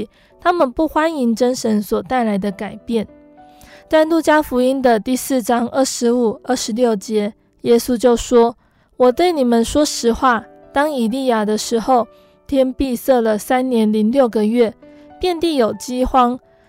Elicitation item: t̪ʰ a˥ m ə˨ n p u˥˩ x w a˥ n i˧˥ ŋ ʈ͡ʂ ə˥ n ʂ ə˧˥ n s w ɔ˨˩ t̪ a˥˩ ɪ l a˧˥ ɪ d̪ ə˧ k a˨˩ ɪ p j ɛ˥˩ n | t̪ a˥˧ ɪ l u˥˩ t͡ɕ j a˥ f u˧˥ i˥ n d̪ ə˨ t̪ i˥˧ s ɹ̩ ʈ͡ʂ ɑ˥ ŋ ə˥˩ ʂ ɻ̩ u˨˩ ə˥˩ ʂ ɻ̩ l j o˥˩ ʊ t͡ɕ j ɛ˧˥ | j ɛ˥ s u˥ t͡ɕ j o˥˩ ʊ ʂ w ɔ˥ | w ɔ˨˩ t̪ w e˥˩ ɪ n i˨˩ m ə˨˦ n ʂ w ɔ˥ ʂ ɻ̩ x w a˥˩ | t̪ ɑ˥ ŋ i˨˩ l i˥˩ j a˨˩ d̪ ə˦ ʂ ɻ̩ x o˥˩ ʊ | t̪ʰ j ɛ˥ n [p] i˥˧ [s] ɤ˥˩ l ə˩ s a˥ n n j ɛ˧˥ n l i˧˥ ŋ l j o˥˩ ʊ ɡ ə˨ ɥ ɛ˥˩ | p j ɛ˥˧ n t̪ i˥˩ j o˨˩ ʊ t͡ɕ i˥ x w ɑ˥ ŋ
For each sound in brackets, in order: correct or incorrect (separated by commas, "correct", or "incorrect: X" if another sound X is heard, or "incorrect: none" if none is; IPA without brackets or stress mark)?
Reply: correct, correct